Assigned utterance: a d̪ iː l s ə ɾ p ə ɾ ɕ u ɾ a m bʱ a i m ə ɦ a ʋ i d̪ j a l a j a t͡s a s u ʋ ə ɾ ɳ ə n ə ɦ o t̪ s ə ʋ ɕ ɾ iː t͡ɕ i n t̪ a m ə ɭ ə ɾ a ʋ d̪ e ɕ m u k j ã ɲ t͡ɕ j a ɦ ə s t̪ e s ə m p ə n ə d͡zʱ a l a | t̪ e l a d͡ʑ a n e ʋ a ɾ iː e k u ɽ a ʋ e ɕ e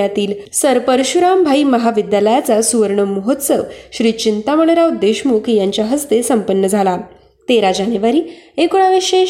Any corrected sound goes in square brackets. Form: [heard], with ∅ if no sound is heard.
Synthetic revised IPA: a [t̪] iː l s ə ɾ p ə ɾ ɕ u ɾ a m bʱ a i m ə ɦ a ʋ i d̪ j a l [ə] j a t͡s a s u ʋ ə ɾ ɳ ə [m] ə ɦ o t̪ s ə ʋ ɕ ɾ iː t͡ɕ i n t̪ a m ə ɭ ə ɾ a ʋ d̪ e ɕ m u k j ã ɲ t͡ɕ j a ɦ ə s t̪ e s ə m p ə [nː] ə d͡zʱ a l a | t̪ e [ɾ] a d͡ʑ a n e ʋ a ɾ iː e k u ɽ a ʋ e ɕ e